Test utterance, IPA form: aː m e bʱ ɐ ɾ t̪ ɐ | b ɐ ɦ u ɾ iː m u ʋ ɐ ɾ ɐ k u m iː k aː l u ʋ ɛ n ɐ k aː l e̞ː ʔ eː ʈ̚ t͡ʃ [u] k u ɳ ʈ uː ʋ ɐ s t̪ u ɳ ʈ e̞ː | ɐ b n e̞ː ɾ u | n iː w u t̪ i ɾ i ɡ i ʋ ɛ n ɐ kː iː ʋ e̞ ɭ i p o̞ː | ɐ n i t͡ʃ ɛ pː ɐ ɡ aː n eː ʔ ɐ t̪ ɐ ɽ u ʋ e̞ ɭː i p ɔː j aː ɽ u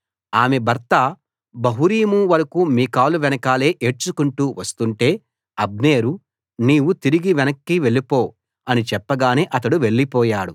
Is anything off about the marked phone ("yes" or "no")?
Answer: no